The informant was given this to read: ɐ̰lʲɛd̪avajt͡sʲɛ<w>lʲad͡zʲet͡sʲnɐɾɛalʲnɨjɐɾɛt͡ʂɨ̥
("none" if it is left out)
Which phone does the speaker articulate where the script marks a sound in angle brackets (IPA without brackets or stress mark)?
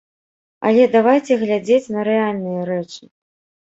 ɣ